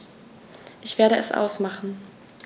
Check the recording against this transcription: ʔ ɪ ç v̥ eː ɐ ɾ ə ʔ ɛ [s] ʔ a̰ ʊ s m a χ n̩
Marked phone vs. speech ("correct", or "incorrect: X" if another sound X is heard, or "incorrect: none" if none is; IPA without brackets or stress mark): correct